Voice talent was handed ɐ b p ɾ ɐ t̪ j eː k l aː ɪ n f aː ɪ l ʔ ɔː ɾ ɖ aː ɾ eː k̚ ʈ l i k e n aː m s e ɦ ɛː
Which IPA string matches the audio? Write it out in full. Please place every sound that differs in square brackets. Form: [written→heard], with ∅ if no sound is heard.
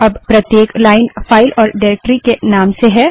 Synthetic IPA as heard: ɐ b p ɾ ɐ t̪ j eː k l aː ɪ n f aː ɪ l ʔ ɔː ɾ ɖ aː ɾ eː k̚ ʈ [l→ɾ] i k e n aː m s e ɦ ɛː